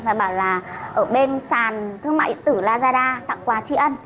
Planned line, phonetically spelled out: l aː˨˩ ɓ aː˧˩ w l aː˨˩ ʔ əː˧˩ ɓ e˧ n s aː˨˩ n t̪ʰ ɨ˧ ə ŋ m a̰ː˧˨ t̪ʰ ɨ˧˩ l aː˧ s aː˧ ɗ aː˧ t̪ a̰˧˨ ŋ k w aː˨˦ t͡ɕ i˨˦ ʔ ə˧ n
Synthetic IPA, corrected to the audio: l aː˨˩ ɓ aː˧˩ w l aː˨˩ ʔ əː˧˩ ɓ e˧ n s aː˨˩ n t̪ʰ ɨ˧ ə ŋ m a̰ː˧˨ t̪ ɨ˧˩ l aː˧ z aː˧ ɗ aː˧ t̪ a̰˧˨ ŋ k w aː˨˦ t͡ɕ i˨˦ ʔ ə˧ n